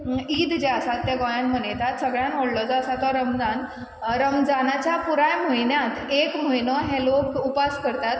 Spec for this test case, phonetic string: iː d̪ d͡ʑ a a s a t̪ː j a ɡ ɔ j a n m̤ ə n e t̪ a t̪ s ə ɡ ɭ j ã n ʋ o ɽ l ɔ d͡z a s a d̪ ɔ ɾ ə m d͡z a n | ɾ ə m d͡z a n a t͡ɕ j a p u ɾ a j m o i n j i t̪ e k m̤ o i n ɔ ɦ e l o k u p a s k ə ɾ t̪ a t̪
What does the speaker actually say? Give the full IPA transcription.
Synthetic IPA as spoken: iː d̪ d͡ʑ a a s a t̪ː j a ɡ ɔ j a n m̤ ə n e t̪ a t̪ s ə ɡ ɭ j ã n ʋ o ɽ l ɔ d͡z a s a t̪ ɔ ɾ ə m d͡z a n | ɾ ə m d͡z a n a t͡ɕ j a p u ɾ a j m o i n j a t̪ e k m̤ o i n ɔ ɦ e l o k u p a s k ə ɾ t̪ a t̪